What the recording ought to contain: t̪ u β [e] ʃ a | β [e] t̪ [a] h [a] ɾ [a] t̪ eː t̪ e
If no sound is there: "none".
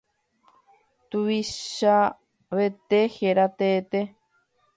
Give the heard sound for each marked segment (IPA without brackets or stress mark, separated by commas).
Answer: i, e, e, e, a